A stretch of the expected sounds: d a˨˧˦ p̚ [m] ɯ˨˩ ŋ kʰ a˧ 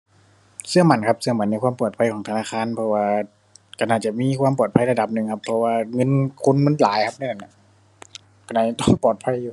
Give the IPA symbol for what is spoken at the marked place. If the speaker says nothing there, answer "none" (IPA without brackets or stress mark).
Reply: n